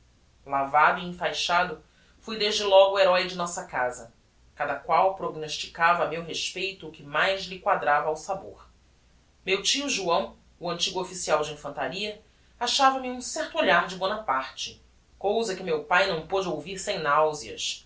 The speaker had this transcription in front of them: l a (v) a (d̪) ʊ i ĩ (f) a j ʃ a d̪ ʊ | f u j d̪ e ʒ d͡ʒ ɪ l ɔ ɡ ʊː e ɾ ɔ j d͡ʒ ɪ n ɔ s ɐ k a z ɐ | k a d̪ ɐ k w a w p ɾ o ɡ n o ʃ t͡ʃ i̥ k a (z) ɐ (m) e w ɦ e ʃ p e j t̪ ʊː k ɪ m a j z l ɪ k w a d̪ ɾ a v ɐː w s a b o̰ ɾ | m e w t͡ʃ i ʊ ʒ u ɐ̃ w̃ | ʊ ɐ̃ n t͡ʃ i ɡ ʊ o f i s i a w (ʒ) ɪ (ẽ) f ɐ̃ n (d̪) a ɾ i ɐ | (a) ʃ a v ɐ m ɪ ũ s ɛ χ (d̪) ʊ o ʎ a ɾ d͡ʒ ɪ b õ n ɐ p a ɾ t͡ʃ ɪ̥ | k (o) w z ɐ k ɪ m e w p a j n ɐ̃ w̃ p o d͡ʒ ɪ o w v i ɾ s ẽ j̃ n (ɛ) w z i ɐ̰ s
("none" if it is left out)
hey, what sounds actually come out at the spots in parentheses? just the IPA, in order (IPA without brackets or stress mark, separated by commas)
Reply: v, d̪, f, v, m, d͡ʒ, ĩ, t̪, a, t̪, o, a